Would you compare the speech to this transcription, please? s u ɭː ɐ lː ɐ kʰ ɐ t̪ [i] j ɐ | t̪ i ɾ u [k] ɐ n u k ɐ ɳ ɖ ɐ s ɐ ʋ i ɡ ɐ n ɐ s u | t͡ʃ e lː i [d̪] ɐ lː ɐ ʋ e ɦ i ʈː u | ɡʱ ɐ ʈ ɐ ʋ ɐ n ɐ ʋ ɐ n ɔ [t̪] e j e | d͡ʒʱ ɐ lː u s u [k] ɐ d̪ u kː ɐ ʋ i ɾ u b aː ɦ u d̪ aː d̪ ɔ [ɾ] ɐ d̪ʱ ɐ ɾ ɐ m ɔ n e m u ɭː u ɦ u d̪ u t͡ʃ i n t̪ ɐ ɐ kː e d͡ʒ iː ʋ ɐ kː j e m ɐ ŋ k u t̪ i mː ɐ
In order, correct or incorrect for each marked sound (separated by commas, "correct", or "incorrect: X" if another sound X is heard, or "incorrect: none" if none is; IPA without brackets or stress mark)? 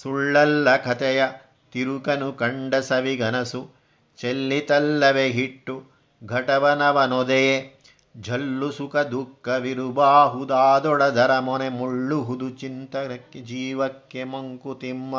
incorrect: ɛ, correct, incorrect: t̪, incorrect: d̪, correct, incorrect: ɽ